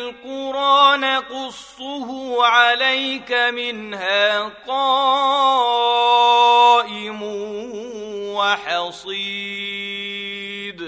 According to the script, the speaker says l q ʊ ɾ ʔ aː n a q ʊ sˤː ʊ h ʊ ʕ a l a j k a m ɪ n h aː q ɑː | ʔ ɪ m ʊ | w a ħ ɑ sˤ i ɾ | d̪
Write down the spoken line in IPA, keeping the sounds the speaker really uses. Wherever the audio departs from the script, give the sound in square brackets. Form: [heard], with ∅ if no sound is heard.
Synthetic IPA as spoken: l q ʊ ɾ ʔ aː n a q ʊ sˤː ʊ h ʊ ʕ a l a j k a m ɪ n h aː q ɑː | ʔ ɪ m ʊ | w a ħ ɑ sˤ i [∅] | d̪